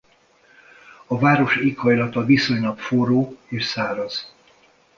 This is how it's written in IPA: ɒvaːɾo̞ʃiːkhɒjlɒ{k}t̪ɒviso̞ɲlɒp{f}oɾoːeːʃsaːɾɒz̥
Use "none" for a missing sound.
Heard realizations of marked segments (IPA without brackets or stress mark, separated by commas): none, f